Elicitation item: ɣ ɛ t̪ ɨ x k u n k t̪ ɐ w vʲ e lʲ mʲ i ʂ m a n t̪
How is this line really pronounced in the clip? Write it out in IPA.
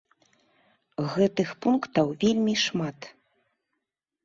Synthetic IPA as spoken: ɣ ɛ t̪ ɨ x p u n k t̪ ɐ w vʲ e lʲ mʲ i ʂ m a t̪